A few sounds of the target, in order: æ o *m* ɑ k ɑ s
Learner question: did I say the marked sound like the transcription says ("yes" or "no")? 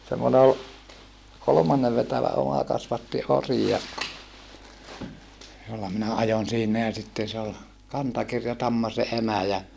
yes